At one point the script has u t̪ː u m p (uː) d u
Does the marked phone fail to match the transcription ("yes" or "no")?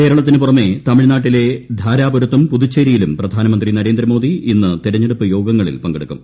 yes